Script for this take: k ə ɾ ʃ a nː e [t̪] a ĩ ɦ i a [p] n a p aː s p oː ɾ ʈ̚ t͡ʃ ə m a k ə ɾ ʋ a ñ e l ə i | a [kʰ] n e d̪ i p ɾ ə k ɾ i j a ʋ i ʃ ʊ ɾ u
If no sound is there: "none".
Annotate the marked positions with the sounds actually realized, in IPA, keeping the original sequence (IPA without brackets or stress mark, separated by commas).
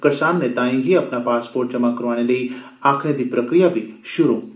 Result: t̪, p, kʰ